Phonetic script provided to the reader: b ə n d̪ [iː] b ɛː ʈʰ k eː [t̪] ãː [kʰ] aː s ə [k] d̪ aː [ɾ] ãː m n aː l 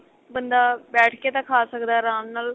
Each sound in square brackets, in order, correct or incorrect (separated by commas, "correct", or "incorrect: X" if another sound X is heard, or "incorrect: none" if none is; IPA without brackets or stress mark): incorrect: aː, correct, correct, correct, correct